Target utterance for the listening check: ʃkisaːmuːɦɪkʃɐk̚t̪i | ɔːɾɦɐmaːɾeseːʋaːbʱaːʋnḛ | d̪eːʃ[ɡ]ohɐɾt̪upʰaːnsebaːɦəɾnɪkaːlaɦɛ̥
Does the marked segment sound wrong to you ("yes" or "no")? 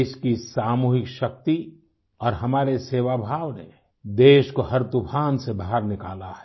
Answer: yes